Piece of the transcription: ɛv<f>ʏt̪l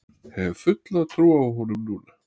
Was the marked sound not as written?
no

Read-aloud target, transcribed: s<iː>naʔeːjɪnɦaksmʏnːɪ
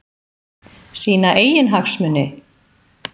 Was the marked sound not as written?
no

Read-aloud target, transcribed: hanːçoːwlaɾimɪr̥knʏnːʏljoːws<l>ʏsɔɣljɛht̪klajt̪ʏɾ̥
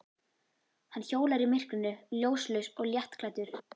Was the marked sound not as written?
no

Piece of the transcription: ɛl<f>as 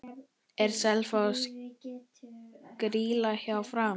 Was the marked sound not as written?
no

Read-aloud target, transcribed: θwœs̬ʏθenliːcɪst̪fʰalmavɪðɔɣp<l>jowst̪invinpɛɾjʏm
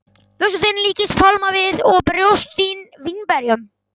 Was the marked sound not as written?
yes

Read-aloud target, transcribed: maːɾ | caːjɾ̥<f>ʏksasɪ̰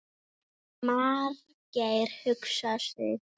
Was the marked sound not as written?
yes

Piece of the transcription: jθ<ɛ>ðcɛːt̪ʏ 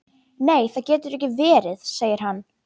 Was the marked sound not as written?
yes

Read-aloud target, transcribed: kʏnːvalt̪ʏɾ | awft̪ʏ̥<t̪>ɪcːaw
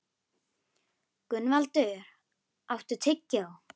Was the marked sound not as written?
yes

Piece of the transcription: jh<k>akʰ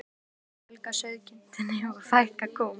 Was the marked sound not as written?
no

